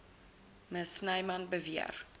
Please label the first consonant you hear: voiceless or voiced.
voiced